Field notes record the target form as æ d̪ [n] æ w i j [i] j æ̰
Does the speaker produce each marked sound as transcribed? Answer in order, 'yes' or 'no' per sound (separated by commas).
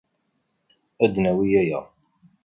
yes, no